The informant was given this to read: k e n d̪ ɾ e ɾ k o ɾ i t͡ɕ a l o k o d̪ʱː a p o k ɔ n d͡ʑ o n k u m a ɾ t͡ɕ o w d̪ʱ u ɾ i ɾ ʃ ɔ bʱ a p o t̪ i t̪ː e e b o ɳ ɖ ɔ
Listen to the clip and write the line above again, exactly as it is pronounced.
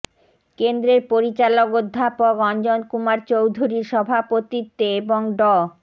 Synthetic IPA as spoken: k e n d̪ ɾ e ɾ p o ɾ i t͡ɕ a l o k o d̪ʱː a p o k ɔ n d͡ʑ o n k u m a ɾ t͡ɕ o w d̪ʱ u ɾ i ɾ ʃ ɔ bʱ a p o t̪ i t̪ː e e b o ŋ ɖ ɔ